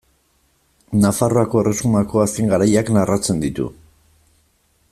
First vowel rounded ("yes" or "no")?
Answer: no